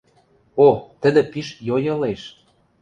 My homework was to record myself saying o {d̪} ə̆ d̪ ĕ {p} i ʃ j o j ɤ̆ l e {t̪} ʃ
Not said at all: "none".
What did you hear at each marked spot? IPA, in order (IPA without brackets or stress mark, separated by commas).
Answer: t̪, p, none